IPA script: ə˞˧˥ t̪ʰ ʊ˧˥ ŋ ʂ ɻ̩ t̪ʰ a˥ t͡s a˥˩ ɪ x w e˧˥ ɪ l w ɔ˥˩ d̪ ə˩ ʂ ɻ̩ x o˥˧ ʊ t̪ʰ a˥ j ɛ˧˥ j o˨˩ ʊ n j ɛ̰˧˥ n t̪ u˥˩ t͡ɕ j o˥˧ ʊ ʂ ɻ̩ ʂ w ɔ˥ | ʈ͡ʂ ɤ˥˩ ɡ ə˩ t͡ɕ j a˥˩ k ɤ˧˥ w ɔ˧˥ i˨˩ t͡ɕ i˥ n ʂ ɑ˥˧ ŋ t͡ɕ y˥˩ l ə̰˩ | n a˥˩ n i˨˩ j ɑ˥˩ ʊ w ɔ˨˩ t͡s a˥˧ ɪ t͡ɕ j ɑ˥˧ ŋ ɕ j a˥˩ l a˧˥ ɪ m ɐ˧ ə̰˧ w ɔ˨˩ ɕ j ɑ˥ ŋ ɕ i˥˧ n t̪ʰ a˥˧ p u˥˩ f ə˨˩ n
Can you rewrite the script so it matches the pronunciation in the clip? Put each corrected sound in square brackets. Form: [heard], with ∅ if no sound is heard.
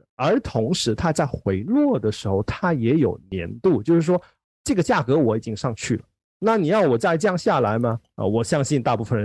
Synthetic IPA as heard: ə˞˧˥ t̪ʰ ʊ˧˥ ŋ ʂ ɻ̩ t̪ʰ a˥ t͡s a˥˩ ɪ x w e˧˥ ɪ l w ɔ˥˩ d̪ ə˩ ʂ ɻ̩ x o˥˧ ʊ t̪ʰ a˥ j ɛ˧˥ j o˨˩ ʊ n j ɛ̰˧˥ n t̪ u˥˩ t͡ɕ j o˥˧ ʊ ʂ ɻ̩ ʂ w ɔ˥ | ʈ͡ʂ ɤ˥˩ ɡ ə˩ t͡ɕ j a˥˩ k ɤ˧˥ w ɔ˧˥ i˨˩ t͡ɕ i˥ [ŋ] ʂ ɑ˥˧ ŋ [t͡ɕʰ] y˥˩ l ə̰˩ | n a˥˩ n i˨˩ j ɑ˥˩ ʊ w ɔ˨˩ t͡s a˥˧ ɪ t͡ɕ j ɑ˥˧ ŋ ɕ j a˥˩ l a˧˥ ɪ m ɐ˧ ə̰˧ w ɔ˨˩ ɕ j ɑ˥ ŋ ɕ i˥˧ n [t̪] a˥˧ p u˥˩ f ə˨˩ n